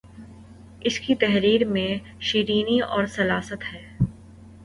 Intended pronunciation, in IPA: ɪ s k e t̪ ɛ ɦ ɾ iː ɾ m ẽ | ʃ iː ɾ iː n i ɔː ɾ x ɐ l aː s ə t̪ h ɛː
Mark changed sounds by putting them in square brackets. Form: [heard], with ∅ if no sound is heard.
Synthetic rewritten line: ɪ s k [i] t̪ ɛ ɦ ɾ iː ɾ m ẽ | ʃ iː ɾ iː n i ɔː ɾ [s] ɐ l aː s ə t̪ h ɛː